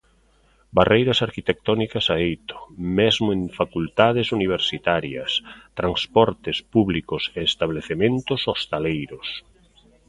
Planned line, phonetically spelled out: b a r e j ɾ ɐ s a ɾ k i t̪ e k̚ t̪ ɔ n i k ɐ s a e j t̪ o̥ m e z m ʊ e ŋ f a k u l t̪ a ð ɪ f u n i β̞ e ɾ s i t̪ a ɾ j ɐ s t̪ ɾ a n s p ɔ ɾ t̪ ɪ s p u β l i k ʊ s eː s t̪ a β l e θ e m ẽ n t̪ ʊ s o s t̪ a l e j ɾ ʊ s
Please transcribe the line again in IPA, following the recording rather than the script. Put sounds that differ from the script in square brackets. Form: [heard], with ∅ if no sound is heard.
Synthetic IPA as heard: b a r e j ɾ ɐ s a ɾ k i t̪ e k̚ t̪ ɔ n i k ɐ s a e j t̪ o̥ m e z m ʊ e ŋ f a k u l t̪ a ð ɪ [s] u n i β̞ e ɾ s i t̪ a ɾ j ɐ s t̪ ɾ a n s p ɔ ɾ t̪ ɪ s p u β l i k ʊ s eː s t̪ a β l e θ e m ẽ n t̪ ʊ s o s t̪ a l e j ɾ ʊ s